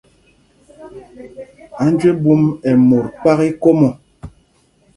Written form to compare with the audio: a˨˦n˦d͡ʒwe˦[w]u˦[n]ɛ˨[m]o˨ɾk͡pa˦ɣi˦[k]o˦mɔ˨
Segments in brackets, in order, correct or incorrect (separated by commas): incorrect, incorrect, correct, correct